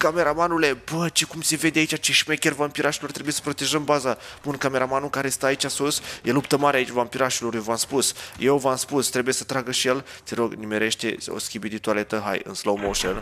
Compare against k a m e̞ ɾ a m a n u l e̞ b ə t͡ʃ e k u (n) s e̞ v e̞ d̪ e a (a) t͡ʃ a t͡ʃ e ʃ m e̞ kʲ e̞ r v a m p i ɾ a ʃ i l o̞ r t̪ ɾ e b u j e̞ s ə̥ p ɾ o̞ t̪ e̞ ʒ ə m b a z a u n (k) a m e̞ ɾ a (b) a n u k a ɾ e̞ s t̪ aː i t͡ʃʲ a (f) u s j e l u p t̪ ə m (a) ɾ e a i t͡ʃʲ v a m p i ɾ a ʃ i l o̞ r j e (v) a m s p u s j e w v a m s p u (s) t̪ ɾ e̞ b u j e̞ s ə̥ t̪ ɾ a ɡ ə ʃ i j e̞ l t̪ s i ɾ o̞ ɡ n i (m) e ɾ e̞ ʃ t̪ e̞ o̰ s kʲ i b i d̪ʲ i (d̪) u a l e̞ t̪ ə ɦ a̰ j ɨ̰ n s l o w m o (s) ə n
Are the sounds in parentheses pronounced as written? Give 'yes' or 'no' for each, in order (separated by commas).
no, no, yes, no, no, yes, yes, yes, yes, no, no